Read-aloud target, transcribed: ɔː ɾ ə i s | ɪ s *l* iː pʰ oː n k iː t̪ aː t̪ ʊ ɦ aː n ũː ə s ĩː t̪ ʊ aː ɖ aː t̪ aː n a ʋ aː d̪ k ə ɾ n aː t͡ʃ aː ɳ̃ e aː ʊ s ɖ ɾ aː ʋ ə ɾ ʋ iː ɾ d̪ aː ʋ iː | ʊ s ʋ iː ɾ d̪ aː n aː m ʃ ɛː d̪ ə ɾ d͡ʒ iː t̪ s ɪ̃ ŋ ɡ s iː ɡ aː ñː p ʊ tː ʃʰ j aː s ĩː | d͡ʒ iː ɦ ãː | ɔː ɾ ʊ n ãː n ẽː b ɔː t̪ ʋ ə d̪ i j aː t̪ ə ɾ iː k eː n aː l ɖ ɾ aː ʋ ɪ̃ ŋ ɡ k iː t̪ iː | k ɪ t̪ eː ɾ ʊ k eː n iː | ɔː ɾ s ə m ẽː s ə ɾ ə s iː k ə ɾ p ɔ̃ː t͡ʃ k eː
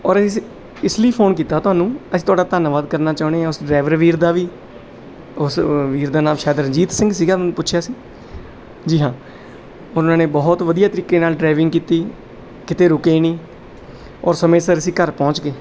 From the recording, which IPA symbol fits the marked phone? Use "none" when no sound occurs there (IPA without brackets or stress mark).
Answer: l